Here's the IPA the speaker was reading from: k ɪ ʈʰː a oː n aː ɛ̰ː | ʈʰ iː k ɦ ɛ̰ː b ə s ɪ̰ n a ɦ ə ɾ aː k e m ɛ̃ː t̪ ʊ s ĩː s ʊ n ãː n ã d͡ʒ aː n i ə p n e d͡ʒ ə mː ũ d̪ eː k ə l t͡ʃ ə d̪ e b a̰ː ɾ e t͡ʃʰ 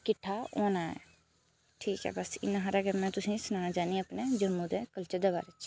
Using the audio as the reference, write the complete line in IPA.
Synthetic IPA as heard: k ɪ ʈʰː a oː n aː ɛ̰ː | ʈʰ iː k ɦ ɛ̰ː b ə s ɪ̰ n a ɦ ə ɾ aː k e m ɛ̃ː t̪ ʊ s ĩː s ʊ n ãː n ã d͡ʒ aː n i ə p n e d͡ʒ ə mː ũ d̪ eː k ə l t͡ʃ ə d̪ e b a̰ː ɾ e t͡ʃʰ